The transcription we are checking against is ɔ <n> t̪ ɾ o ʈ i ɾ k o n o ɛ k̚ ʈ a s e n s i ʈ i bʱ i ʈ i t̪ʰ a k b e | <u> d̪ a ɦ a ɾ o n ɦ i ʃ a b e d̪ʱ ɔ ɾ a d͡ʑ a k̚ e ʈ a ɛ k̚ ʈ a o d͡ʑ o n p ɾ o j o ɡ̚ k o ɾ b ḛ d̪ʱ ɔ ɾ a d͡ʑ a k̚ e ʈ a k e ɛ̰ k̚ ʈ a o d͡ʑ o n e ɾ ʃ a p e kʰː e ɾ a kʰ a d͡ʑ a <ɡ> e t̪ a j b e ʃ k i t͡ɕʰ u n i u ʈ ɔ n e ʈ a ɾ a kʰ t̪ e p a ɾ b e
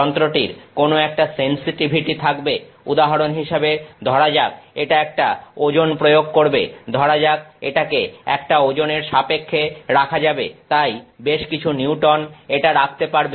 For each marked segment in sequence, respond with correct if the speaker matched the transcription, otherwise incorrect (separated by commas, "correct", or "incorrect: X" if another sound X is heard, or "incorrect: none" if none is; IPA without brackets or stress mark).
correct, correct, incorrect: b